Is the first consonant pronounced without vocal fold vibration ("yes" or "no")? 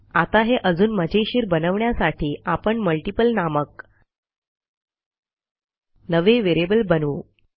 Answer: yes